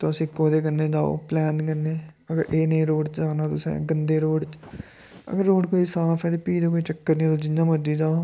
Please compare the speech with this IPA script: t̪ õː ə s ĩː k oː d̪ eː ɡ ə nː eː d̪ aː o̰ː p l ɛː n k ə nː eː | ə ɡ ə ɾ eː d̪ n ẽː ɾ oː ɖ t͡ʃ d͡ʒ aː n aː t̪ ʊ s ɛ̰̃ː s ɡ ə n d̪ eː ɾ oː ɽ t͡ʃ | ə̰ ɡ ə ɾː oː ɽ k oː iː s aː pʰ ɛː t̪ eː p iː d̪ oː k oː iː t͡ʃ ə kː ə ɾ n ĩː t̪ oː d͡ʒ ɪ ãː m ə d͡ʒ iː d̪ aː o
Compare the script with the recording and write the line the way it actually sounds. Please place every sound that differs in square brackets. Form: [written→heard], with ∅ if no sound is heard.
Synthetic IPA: t̪ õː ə s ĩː k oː d̪ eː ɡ ə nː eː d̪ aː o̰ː p l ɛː n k ə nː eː | ə ɡ ə ɾ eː [d̪→∅] n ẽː ɾ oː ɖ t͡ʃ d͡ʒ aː n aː t̪ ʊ s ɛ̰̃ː [s→∅] ɡ ə n d̪ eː ɾ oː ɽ t͡ʃ | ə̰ ɡ ə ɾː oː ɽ k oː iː s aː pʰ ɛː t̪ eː p iː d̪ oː k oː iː t͡ʃ ə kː ə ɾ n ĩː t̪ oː d͡ʒ ɪ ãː m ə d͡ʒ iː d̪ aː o